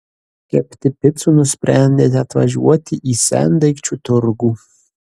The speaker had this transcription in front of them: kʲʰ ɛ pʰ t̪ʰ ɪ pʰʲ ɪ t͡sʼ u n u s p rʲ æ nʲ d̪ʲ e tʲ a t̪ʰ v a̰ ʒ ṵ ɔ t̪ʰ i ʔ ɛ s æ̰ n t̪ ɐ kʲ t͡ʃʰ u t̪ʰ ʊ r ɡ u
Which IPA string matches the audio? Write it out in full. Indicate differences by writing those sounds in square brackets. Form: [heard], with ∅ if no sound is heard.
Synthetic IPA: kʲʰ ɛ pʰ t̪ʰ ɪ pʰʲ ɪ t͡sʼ u n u s p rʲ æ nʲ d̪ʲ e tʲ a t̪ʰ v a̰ ʒ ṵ ɔ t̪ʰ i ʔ [i] s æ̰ n [d̪] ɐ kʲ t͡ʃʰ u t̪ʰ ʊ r ɡ u